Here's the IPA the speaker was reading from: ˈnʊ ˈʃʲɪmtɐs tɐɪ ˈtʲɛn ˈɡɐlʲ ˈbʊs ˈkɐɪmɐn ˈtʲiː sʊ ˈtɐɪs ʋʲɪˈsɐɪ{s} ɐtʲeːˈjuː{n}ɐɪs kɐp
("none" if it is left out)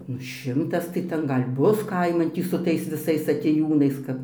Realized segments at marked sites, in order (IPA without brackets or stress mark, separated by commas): s, n